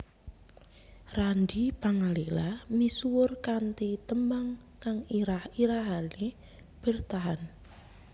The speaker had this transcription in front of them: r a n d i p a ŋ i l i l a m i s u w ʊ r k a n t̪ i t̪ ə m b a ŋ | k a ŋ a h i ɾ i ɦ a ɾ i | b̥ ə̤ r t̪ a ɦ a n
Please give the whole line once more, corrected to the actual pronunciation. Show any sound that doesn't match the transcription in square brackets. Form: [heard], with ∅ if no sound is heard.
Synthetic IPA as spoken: r a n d i p a ŋ [a] l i l a m i s u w ʊ r k a n t̪ i t̪ ə m b a ŋ | k a ŋ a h i ɾ [a] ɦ a [l] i | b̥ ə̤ r t̪ a ɦ a n